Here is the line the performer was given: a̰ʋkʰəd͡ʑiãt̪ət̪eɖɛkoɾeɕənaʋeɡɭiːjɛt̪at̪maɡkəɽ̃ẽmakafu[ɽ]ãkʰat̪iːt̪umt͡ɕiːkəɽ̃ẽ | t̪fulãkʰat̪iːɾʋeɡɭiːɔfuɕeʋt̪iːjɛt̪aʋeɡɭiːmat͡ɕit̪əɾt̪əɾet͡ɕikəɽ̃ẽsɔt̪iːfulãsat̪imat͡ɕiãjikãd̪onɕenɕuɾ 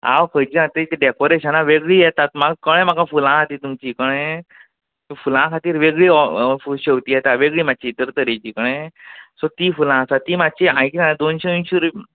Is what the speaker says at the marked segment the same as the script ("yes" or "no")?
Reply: no